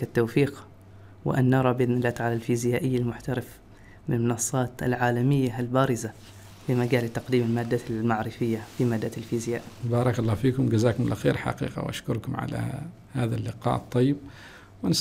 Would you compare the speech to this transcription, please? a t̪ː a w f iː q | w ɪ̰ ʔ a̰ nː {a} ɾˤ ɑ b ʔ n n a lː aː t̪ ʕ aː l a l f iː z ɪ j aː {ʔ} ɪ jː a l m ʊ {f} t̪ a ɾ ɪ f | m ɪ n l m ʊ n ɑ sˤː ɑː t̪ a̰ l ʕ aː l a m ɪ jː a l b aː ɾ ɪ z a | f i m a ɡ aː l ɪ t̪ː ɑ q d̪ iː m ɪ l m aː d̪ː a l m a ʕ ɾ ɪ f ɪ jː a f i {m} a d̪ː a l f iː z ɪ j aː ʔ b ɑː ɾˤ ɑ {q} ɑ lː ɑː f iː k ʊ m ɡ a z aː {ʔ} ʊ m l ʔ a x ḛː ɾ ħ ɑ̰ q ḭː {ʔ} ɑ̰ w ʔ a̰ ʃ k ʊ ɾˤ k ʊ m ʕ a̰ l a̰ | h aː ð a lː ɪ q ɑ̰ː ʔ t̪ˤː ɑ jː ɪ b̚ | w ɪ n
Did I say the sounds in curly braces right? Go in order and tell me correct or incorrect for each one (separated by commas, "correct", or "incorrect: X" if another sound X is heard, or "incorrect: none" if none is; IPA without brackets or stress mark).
incorrect: ɑ, correct, incorrect: ħ, correct, incorrect: k, incorrect: k, incorrect: q